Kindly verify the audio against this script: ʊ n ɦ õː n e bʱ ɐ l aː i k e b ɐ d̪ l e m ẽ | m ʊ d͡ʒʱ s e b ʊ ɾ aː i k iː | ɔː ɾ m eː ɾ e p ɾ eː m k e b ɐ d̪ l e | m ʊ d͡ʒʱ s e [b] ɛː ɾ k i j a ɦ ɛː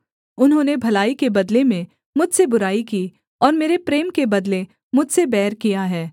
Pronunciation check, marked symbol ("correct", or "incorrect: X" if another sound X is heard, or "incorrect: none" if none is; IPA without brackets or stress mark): correct